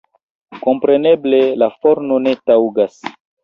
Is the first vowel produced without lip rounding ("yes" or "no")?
no